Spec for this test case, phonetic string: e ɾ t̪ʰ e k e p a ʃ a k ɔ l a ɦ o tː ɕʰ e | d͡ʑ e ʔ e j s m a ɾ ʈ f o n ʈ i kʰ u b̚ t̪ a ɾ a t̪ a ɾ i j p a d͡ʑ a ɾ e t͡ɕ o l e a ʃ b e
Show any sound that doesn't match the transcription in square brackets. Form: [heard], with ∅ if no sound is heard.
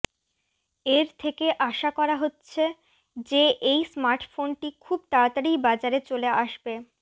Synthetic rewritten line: e ɾ t̪ʰ e k e [ʔ] a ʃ a k ɔ [ɾ] a ɦ o tː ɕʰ e | d͡ʑ e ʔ e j s m a ɾ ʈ f o n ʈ i kʰ u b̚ t̪ a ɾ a t̪ a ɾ i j [b] a d͡ʑ a ɾ e t͡ɕ o l e a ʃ b e